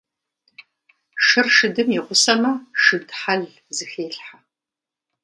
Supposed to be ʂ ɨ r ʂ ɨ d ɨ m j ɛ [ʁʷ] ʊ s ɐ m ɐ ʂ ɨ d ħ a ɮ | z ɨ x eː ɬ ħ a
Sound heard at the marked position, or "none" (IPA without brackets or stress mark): ʁʷ